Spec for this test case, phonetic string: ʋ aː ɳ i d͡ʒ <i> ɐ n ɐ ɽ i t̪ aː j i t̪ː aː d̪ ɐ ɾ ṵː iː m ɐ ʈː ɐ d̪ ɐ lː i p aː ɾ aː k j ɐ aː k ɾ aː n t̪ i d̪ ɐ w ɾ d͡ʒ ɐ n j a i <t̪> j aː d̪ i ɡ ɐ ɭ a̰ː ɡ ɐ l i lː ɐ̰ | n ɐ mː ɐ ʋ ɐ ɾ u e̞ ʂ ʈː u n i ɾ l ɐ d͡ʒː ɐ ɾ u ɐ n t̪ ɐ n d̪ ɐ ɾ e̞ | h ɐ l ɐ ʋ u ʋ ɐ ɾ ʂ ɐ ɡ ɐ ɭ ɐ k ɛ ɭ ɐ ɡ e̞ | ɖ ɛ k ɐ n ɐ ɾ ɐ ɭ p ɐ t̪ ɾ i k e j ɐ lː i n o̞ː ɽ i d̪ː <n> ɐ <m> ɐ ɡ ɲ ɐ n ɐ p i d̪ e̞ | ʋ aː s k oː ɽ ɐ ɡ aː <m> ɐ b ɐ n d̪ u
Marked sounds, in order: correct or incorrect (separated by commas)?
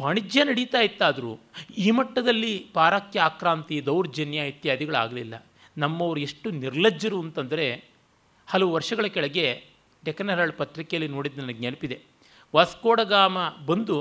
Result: incorrect, correct, correct, incorrect, correct